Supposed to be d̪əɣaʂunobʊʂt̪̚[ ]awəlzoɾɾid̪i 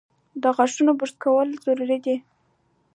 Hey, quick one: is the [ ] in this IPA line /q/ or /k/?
k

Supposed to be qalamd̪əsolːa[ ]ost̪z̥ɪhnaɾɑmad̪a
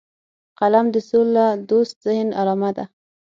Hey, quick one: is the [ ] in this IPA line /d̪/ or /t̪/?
d̪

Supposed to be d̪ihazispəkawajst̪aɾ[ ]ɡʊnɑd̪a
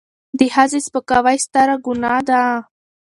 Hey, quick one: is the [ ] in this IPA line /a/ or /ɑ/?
a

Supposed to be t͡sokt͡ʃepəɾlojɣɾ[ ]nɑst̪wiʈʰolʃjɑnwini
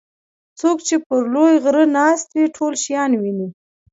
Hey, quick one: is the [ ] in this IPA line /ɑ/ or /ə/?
ə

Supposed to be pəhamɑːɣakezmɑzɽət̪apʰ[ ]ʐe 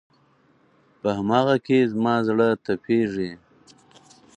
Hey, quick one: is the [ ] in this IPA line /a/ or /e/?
e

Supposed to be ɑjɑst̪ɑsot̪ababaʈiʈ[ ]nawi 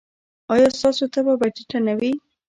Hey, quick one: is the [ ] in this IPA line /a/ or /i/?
a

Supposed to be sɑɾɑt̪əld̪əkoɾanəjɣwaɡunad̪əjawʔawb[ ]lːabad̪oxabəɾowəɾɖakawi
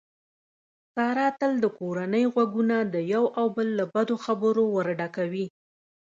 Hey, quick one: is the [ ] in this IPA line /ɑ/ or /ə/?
ə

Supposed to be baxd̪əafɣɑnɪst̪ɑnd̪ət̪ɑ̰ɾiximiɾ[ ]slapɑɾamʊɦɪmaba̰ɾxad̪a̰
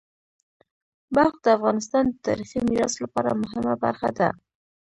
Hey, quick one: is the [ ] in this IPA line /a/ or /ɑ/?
ɑ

